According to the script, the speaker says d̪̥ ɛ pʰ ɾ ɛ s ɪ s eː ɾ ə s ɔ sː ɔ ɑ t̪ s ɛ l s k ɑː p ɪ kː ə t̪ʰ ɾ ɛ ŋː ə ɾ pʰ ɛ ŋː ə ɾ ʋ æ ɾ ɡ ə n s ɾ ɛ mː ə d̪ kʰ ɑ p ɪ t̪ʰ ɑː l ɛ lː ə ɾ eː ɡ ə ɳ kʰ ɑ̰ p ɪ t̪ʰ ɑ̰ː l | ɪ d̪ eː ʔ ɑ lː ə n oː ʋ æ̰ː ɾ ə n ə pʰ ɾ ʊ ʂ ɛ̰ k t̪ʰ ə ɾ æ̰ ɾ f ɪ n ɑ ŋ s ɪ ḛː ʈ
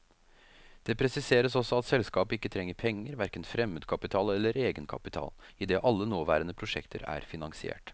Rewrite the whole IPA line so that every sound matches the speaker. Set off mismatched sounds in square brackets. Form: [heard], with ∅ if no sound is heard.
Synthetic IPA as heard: d̪̥ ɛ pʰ ɾ ɛ s ɪ s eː ɾ ə s ɔ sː ɔ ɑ t̪ s ɛ l s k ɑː p ɪ kː ə t̪ʰ ɾ ɛ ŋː ə ɾ pʰ ɛ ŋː ə ɾ ʋ æ ɾ [k] ə n [f] ɾ ɛ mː ə d̪ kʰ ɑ p ɪ t̪ʰ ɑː l ɛ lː ə ɾ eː ɡ ə [n] kʰ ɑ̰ p ɪ t̪ʰ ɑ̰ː l | ɪ d̪ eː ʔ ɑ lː ə n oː ʋ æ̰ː ɾ ə n ə pʰ ɾ ʊ ʂ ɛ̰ k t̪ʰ ə ɾ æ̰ ɾ f ɪ n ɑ ŋ s ɪ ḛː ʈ